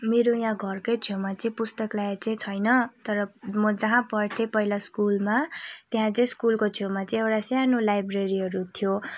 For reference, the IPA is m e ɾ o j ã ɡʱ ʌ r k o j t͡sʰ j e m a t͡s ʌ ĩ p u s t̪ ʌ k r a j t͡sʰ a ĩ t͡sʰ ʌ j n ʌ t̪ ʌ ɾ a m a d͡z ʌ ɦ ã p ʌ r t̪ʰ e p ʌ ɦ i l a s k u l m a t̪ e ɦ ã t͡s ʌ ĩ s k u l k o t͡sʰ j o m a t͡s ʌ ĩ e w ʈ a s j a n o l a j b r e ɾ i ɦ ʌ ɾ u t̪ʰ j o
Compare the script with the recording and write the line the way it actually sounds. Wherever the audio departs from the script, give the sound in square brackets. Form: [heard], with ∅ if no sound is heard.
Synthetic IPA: m e ɾ o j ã ɡʱ ʌ r k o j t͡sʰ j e m a t͡s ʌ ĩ p u s t̪ ʌ k [l] a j [t͡s] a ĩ t͡sʰ ʌ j n ʌ t̪ ʌ ɾ [ʌ] m [ʌ] d͡z ʌ ɦ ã p ʌ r t̪ʰ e p ʌ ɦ i l a s k u l m a t̪ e ɦ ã t͡s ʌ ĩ s k u l k o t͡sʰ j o m a t͡s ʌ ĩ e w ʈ a s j a n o l a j b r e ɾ i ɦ ʌ ɾ u t̪ʰ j o